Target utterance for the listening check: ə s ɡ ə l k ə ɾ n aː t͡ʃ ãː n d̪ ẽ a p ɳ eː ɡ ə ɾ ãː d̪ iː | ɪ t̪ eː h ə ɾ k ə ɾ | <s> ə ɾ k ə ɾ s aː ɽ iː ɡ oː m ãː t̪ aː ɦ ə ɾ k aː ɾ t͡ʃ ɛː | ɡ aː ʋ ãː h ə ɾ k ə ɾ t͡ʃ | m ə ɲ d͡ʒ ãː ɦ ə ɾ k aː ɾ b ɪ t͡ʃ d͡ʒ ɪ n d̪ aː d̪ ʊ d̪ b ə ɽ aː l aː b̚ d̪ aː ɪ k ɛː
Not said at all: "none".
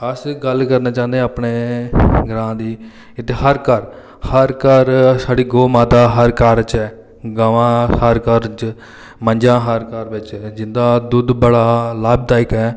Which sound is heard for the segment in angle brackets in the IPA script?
h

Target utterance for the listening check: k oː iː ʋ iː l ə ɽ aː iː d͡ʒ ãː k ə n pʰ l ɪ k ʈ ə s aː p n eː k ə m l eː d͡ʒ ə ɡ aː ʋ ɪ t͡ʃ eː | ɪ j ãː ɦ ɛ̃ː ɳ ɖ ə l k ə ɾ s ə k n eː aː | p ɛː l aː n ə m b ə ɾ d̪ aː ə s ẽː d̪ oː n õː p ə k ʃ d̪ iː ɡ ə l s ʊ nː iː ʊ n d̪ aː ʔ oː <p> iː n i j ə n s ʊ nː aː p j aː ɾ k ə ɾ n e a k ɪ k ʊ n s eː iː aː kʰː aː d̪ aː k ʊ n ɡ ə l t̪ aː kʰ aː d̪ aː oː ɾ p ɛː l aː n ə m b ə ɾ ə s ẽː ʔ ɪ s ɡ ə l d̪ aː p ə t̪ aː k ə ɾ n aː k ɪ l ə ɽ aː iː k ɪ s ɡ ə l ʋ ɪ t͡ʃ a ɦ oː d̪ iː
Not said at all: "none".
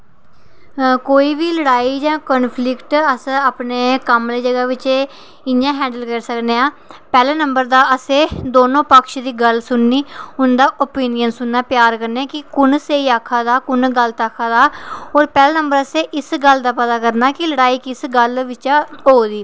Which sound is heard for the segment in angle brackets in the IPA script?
p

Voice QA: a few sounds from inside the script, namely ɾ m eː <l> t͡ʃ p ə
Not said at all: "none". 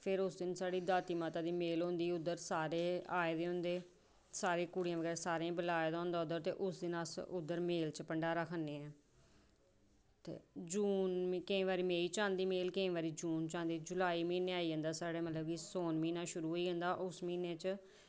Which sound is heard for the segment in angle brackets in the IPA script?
l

